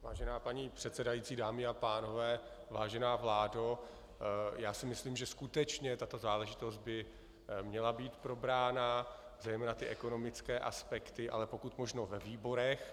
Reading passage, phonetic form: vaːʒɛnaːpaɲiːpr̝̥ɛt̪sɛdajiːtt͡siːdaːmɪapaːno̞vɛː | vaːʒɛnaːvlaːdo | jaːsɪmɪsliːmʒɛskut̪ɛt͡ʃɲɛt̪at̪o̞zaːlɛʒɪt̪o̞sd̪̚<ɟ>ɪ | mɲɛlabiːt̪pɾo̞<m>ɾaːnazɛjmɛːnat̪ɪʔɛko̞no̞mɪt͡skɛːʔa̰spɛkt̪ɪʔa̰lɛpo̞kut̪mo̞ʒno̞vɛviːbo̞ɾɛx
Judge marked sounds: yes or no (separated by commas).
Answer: no, no